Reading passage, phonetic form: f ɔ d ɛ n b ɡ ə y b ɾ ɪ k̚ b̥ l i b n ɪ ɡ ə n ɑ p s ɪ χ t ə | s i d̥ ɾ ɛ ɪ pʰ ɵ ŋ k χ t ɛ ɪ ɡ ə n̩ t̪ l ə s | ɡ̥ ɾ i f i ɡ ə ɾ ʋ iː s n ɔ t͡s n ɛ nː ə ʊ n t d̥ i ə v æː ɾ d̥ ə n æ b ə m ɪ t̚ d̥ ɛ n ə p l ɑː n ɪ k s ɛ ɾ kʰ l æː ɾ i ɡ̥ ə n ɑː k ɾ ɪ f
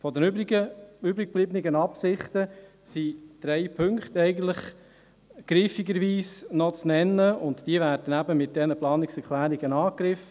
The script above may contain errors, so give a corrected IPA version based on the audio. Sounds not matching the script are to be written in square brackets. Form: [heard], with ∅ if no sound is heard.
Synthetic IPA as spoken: f ɔ d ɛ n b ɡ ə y b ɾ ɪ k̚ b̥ l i b n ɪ ɡ ə n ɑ p s ɪ χ t ə | s i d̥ ɾ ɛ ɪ pʰ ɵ ŋ k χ t ɛ ɪ ɡ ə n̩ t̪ l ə [χ] | ɡ̥ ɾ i f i ɡ ə ɾ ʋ iː s n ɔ t͡s n ɛ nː ə ʊ n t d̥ i ə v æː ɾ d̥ ə n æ b ə m ɪ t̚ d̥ ɛ n ə p l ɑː n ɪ k s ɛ ɾ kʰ l æː ɾ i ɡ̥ ə n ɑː k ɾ ɪ f